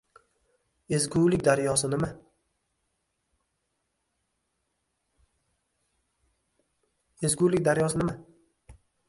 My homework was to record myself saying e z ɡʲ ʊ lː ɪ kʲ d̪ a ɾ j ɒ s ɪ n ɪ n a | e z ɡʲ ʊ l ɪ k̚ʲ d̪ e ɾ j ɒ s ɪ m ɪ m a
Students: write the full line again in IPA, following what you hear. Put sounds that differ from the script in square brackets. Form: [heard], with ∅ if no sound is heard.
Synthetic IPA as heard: e z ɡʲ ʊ [l] ɪ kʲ d̪ a ɾ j ɒ s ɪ n ɪ [m] a | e z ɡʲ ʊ l ɪ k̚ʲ d̪ [a] ɾ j ɒ s ɪ [n] ɪ m a